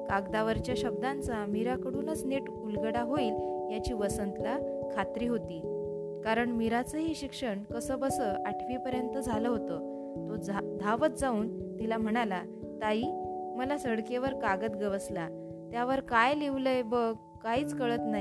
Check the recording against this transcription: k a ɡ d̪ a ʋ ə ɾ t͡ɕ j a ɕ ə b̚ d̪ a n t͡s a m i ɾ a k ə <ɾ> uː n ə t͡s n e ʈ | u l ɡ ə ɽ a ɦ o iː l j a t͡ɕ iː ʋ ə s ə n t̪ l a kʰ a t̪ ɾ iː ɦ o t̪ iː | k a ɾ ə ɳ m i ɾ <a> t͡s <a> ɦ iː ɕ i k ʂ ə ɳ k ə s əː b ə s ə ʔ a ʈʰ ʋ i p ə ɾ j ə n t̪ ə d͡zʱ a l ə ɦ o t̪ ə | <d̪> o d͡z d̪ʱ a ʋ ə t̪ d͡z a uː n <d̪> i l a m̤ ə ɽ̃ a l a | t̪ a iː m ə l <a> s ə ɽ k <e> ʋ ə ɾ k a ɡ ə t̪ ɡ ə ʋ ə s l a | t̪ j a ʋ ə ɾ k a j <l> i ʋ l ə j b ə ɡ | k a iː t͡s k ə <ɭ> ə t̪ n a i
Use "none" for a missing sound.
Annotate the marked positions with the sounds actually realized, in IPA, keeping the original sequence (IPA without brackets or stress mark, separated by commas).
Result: ɽ, a, ə, t̪, t̪, a, e, l, ɭ